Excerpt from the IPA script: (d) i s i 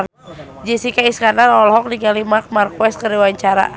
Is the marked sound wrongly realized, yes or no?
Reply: yes